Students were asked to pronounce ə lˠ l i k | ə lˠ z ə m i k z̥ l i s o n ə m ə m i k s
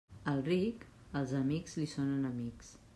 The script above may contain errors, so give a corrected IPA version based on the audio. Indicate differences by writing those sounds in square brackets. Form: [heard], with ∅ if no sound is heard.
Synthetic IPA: ə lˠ [r] i k | ə lˠ z ə m i k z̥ l i s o n ə [n] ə m i k s